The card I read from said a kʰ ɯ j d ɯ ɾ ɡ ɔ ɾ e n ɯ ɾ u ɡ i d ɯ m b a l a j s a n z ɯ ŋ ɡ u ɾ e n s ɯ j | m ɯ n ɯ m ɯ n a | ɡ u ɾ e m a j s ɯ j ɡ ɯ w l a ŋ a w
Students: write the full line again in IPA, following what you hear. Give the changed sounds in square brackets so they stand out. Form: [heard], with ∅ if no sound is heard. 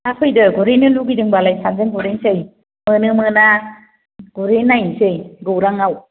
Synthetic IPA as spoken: a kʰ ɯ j d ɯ [∅] ɡ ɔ ɾ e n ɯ [l] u ɡ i d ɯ [ŋ] b a l a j s a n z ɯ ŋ ɡ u ɾ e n s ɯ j | m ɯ n ɯ m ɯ n a | ɡ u ɾ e [n] a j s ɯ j ɡ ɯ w [ɾ] a ŋ a w